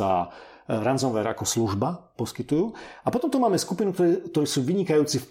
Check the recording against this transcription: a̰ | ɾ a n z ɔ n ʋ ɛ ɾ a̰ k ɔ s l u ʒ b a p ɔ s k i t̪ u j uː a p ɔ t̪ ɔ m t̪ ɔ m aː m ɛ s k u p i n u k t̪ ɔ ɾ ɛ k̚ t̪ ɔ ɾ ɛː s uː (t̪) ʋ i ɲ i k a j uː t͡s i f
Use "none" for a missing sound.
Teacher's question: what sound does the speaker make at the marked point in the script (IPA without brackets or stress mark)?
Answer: none